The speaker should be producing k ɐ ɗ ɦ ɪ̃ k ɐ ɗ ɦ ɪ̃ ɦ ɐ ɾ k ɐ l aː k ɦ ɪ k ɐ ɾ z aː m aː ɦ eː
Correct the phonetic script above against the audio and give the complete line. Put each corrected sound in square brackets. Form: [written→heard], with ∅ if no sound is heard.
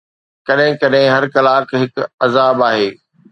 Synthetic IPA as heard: k ɐ ɗ ɦ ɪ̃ k ɐ ɗ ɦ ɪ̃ ɦ ɐ ɾ k ɐ l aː k ɦ ɪ k ɐ [ɾ→∅] z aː [m→b] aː ɦ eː